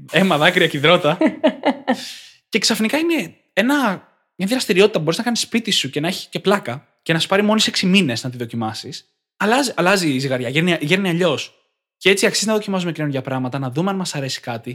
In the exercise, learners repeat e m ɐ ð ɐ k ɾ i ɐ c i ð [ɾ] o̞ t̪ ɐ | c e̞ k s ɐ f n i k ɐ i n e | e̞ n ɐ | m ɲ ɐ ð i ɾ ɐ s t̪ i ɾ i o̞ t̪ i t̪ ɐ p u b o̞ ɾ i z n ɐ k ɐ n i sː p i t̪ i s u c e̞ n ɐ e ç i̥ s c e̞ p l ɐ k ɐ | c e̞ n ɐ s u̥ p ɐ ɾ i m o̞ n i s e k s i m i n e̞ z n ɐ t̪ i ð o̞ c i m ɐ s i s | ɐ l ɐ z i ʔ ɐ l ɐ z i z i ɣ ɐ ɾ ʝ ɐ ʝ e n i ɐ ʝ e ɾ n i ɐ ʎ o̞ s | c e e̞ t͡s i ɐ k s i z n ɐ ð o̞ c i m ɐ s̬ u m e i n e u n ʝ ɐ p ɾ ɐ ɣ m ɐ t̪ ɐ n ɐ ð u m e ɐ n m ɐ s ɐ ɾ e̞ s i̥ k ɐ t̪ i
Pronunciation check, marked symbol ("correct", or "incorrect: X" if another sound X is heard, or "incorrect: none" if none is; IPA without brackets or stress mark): correct